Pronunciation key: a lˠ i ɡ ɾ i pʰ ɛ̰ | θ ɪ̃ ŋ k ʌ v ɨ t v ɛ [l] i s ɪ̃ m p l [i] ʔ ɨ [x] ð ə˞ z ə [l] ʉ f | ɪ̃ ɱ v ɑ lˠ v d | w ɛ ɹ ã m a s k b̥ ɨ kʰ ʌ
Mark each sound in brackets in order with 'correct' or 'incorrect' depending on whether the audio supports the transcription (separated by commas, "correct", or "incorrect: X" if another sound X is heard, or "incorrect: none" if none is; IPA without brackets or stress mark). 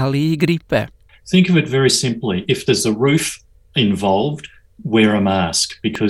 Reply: incorrect: ɹ, correct, incorrect: f, incorrect: ɹ